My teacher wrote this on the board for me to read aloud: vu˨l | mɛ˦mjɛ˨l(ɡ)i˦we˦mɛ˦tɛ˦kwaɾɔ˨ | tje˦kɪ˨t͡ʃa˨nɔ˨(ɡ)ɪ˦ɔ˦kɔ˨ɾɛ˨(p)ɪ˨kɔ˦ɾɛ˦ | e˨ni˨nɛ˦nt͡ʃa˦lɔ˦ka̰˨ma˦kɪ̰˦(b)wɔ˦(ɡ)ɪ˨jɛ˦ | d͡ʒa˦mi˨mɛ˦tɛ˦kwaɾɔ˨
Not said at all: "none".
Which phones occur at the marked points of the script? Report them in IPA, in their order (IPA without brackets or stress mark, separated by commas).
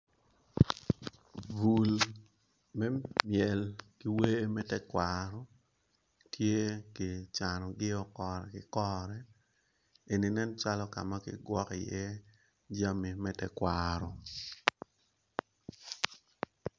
k, ɡ, k, ɡ, k